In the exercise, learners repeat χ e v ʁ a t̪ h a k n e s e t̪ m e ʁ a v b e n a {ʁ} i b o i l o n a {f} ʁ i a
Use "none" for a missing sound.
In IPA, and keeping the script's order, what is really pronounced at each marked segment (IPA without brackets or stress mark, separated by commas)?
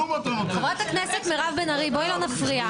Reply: ʁ, f